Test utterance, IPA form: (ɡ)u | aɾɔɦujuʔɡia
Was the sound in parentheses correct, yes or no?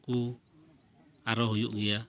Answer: no